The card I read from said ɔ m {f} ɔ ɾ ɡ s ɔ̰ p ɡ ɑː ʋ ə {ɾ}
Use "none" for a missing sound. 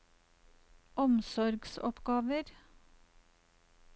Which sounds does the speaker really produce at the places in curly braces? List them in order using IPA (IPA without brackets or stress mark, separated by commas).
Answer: s, ɾ